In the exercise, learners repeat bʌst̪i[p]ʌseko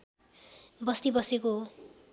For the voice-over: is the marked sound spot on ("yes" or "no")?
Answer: no